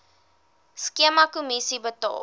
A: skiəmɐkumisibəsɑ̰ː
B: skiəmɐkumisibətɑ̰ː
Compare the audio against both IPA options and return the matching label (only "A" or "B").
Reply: B